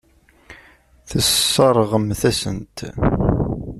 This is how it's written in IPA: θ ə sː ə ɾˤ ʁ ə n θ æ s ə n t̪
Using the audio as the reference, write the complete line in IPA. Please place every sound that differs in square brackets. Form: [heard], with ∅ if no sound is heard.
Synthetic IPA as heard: θ ə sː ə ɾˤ ʁ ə [m] θ æ s ə n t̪

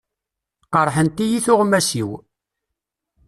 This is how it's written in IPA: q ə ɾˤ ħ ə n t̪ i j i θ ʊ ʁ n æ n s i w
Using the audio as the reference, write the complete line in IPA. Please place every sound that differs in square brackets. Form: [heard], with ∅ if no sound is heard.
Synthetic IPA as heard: q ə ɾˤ ħ ə n t̪ i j i θ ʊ ʁ [m] æ [∅] s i w

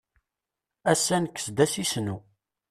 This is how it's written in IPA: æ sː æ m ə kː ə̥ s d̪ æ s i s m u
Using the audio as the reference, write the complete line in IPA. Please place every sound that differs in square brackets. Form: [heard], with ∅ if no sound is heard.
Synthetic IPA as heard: æ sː æ [n] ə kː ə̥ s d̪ æ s i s [n] u

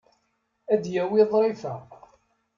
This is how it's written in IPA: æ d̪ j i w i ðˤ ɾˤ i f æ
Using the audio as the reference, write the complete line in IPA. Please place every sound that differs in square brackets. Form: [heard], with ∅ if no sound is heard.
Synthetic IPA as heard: æ d̪ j [æ] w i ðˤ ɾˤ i f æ

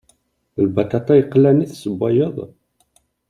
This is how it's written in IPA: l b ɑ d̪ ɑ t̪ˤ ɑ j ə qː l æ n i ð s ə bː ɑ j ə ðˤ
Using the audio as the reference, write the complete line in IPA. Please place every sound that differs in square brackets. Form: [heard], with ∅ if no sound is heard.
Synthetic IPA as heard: l b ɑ [t̪] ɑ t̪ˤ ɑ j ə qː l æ n i [θ] s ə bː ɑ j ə ðˤ

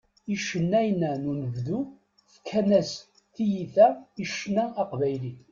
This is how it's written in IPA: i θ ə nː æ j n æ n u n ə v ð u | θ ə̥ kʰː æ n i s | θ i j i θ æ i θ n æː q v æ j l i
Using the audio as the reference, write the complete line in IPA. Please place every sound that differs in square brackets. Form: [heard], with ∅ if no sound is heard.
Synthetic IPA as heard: i [ʃ] ə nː æ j n æ n u n ə v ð u | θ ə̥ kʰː æ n [æ] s | θ i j i θ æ i [ʃ] n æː q v æ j l i

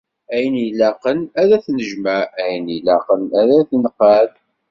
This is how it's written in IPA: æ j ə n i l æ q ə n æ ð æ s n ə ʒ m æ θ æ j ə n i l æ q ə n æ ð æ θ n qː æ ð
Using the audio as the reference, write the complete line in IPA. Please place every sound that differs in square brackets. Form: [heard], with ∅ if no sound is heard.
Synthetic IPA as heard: æ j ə n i l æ q ə n æ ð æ [θ] n ə ʒ m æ [∅] æ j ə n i l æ q ə n æ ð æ θ n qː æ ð

